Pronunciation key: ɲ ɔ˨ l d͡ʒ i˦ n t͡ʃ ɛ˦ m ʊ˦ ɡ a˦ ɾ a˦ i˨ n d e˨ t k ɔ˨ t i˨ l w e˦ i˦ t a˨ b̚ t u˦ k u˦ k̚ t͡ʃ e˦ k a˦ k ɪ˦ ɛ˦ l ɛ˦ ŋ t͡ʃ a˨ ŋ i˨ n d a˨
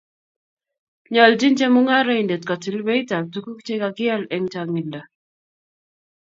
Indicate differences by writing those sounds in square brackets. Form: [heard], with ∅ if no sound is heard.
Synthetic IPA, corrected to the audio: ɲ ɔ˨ l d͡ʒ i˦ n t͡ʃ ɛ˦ m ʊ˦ [ŋ] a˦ ɾ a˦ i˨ n d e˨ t k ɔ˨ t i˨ l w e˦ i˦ t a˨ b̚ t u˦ k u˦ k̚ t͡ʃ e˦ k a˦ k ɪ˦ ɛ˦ l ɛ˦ ŋ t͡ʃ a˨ ŋ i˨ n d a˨